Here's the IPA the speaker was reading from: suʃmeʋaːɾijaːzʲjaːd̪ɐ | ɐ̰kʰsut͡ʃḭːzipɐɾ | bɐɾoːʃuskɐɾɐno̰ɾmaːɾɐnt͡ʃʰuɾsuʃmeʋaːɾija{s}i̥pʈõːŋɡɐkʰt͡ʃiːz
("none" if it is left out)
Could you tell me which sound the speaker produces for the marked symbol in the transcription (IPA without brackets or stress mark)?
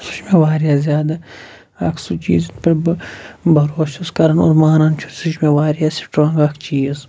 s